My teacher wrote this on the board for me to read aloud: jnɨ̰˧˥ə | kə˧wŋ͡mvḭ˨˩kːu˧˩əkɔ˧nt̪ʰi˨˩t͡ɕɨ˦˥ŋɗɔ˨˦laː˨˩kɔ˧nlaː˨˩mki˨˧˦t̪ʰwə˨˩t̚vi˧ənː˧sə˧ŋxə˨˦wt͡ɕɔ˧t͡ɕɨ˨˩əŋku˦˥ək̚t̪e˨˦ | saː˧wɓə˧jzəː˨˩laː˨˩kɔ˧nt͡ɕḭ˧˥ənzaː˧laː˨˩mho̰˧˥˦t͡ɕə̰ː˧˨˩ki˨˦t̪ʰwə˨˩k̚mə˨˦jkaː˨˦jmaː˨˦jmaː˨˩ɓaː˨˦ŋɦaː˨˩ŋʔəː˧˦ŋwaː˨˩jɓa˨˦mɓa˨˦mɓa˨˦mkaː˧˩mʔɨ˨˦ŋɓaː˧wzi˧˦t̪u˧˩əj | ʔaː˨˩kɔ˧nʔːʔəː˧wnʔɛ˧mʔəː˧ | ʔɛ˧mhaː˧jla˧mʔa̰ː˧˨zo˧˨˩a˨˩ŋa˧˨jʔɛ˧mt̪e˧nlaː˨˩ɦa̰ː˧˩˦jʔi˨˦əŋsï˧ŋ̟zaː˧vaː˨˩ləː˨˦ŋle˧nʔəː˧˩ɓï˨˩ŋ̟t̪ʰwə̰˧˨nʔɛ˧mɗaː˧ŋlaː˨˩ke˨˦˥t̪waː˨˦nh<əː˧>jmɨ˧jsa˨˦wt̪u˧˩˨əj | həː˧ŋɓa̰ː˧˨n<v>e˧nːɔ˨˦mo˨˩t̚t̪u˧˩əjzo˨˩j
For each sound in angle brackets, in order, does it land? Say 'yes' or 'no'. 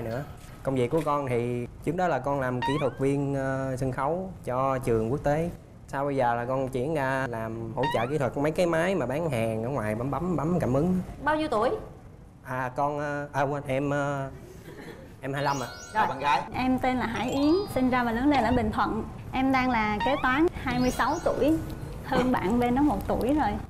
no, yes

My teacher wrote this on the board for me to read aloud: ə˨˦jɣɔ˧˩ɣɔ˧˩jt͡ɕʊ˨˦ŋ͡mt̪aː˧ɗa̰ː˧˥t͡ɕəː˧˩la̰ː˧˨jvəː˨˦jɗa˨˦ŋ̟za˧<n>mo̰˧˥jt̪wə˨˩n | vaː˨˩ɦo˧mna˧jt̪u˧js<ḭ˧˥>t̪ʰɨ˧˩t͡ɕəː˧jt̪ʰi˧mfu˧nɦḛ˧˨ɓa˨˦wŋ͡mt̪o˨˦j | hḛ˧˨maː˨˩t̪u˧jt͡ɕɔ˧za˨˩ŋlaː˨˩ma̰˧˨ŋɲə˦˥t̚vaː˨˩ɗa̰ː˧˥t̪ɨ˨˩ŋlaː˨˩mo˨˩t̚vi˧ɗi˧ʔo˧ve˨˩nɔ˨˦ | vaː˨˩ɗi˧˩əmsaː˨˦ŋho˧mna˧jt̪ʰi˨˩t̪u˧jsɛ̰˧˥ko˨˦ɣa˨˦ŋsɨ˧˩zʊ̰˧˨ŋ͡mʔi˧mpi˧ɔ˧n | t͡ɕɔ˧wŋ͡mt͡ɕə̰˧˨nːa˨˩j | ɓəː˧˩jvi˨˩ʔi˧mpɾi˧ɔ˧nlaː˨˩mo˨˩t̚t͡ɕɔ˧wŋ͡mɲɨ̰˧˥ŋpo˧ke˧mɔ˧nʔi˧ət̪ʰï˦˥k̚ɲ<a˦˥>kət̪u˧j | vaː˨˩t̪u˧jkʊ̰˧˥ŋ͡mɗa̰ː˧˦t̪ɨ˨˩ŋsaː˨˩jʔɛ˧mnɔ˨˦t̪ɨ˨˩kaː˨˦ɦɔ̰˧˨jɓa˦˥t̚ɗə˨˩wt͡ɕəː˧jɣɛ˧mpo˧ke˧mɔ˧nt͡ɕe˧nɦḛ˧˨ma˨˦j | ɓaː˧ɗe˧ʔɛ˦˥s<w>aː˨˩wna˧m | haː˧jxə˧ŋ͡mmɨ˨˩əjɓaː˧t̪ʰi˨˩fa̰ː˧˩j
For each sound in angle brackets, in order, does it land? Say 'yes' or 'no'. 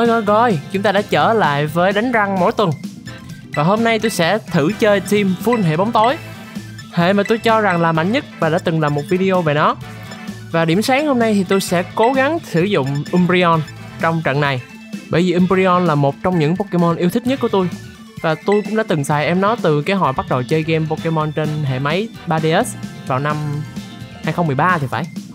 no, no, no, no

